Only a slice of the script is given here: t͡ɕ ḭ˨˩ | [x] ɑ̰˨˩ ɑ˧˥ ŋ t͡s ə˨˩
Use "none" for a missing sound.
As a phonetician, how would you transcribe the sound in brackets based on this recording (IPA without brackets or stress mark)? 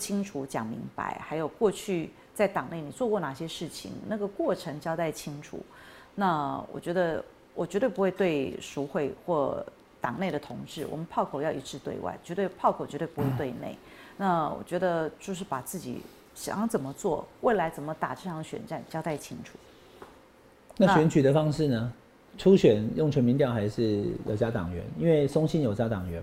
ɕ